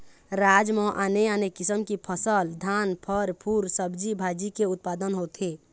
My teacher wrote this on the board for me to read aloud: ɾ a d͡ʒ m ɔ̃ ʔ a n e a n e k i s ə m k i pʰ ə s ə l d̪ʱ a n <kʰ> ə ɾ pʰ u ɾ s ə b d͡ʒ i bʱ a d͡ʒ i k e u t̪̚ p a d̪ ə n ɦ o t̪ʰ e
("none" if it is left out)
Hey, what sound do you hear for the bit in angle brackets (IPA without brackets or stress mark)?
pʰ